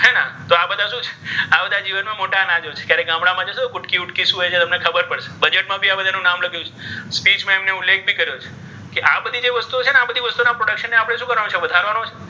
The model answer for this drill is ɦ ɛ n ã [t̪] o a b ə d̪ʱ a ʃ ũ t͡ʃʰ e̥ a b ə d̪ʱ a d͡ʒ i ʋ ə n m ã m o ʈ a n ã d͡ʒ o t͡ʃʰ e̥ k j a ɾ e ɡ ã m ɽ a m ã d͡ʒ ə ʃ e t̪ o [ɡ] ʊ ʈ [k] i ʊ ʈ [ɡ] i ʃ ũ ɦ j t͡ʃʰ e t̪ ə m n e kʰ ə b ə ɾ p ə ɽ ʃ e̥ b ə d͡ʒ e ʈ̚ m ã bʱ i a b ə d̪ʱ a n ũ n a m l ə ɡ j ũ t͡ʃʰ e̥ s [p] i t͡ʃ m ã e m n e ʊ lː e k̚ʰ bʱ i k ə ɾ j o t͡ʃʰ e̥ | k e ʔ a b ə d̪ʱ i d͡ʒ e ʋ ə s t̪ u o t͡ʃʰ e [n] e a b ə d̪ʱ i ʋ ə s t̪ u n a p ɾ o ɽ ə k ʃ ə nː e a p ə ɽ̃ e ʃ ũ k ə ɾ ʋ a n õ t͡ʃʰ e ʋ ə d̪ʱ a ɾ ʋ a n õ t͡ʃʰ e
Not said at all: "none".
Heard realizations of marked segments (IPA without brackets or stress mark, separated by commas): t̪, k, k, k, p, n